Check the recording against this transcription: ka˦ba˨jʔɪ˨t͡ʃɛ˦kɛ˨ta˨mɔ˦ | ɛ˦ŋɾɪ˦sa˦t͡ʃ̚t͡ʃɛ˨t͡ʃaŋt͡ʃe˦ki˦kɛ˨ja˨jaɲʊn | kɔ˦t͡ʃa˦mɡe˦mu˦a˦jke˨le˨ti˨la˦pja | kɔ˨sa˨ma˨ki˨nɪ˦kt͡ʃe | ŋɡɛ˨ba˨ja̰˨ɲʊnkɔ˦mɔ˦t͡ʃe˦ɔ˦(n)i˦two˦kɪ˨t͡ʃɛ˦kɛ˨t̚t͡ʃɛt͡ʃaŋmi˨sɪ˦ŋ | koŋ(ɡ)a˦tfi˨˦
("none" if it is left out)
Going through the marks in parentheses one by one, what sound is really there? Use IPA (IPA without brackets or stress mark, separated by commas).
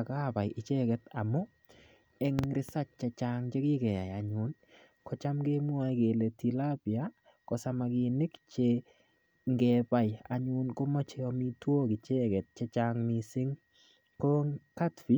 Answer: m, k